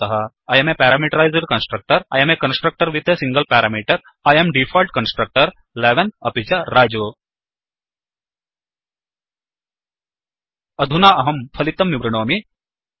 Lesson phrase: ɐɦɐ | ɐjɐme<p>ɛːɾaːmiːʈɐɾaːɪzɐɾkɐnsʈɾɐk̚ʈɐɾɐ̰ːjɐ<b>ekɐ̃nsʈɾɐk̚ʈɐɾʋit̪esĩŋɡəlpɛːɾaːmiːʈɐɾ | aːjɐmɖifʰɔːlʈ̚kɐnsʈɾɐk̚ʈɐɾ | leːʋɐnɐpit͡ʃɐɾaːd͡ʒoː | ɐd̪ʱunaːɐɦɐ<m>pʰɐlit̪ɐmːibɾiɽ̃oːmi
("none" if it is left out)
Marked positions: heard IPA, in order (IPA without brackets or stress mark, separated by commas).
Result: p, m, m